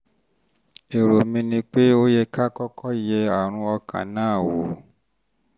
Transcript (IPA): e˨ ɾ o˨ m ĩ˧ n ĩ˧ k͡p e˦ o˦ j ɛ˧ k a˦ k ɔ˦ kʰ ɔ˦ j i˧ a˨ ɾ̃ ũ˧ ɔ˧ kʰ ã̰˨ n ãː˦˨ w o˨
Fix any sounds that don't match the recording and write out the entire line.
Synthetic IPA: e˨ ɾ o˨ m ĩ˧ n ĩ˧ k͡p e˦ o˦ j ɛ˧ k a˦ k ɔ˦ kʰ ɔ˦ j ɛ˧ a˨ ɾ̃ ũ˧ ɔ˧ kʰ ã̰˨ n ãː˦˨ w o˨